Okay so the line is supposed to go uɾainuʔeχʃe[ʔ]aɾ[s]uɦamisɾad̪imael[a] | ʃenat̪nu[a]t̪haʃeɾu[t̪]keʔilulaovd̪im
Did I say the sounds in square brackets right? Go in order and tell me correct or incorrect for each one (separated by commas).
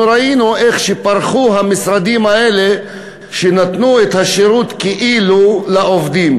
incorrect, incorrect, incorrect, incorrect, correct